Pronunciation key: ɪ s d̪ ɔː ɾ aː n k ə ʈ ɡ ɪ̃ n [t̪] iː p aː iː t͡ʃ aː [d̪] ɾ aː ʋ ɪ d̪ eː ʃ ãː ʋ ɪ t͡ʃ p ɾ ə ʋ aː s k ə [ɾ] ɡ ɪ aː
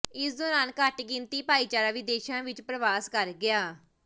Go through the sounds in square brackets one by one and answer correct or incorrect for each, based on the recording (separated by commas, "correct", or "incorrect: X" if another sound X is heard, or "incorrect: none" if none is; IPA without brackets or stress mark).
correct, incorrect: none, correct